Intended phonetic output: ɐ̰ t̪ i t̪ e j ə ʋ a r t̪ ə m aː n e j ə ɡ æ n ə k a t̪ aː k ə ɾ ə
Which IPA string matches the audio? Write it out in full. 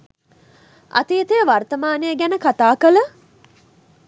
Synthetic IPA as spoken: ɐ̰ t̪ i t̪ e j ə ʋ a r t̪ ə m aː n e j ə ɡ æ n ə k a t̪ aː k ə l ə